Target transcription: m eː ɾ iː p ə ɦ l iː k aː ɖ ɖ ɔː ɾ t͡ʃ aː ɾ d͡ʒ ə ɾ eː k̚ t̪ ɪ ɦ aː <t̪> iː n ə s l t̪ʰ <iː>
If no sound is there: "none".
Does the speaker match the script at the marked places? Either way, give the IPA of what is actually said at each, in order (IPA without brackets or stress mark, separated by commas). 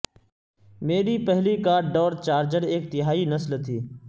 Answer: none, iː